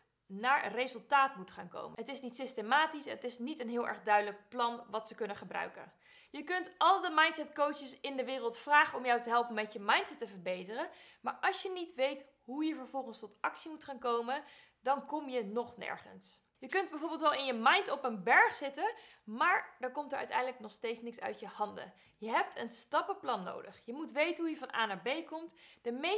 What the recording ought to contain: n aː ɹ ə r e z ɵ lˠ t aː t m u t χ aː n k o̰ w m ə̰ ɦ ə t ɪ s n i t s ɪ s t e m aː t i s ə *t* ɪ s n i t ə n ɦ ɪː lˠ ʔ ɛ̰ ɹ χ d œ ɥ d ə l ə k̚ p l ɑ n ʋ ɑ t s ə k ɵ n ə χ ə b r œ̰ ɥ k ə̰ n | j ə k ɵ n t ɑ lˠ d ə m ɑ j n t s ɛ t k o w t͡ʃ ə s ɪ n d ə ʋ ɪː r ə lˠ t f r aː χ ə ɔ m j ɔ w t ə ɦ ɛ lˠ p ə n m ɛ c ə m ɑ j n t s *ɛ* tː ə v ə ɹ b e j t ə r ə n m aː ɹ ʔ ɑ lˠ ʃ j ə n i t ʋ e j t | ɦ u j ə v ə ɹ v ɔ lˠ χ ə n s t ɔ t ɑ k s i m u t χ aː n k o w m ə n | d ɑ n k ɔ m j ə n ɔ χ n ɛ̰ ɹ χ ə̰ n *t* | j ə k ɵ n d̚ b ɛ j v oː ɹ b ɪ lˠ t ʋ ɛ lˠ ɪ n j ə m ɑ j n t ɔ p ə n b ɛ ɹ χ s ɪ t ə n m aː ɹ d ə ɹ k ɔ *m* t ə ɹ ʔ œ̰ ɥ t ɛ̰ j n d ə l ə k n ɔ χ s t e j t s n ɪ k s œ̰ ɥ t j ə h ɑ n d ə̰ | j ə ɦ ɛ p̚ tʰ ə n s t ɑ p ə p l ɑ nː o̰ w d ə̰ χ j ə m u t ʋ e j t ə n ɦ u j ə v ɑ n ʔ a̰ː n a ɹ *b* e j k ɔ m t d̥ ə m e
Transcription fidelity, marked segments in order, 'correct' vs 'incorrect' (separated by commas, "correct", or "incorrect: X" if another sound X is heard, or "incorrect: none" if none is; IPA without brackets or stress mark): correct, correct, incorrect: s, correct, correct